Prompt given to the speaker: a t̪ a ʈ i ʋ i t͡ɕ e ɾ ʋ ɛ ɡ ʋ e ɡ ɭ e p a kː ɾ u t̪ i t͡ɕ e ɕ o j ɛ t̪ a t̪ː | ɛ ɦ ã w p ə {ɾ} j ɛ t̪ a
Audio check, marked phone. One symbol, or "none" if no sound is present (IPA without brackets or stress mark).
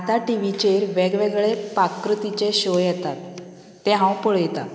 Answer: ɭ